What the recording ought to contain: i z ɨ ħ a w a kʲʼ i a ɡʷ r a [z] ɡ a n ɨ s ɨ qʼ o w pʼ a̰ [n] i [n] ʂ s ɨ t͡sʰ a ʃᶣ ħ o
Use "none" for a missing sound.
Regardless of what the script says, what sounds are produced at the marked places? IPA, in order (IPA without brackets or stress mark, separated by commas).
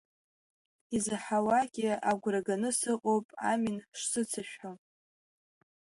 none, m, n